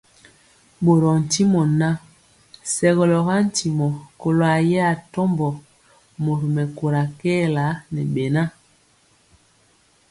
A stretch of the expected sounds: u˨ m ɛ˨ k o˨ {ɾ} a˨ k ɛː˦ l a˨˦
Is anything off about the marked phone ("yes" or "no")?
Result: no